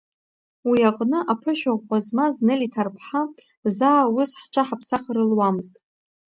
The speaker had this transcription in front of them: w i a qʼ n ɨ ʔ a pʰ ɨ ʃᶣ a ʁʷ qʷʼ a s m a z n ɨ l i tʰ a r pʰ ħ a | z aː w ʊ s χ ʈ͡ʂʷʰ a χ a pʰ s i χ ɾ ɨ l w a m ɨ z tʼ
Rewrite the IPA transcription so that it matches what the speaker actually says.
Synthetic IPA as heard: w i a qʼ n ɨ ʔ a pʰ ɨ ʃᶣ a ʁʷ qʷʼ a z m a z n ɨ l i tʰ a r pʰ ħ a | z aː w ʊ s ħ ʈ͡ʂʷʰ a ħ a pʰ s a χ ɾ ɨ l w a m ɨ z tʼ

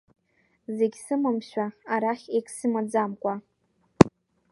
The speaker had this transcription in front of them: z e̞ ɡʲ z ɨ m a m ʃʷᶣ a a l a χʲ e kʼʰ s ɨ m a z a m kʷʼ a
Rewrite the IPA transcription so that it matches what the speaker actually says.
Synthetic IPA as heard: z e̞ ɡʲ s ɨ m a m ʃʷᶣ a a ɾ a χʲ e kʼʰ s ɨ m a d͡z a m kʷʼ a

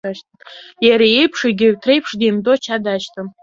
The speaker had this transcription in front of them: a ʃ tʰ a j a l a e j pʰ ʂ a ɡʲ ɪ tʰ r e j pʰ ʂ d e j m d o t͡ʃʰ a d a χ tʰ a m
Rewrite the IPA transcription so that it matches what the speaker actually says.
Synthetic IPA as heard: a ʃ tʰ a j a ɾ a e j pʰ ʂ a ɡʲ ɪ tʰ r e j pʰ ʂ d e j m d o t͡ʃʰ a d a ʃ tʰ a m

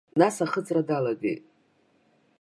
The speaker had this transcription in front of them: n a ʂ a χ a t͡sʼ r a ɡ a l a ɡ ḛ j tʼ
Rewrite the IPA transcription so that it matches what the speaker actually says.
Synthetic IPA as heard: n a s a χ ə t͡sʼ r a d a l a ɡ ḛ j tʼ

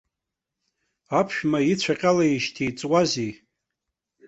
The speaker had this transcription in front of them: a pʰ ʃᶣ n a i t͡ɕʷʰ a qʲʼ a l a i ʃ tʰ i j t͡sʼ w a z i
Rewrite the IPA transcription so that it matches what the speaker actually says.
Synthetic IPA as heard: a pʰ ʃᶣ m a i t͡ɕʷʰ a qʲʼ a l a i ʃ tʰ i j t͡sʼ w a z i

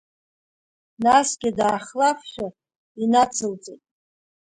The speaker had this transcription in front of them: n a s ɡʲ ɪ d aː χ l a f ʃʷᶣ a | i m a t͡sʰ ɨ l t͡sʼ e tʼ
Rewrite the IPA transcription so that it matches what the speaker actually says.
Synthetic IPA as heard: n a s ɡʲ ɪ d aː χ l a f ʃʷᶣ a | i n a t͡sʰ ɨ l t͡sʼ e tʼ

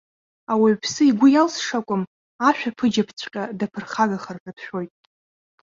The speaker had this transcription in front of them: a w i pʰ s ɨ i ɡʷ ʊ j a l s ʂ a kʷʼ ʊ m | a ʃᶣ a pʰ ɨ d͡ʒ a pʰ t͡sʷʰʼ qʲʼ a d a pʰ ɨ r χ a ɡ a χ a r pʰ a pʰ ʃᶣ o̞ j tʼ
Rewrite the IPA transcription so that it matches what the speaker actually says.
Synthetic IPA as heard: a w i pʰ s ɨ i ɡʷ ʊ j a l s ʂ a kʷʼ ʊ m | a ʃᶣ a pʰ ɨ d͡ʒ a pʰ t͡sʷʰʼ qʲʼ a d a pʰ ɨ r χ a ɡ a χ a r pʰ a pʰ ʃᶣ o̞ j tʼ

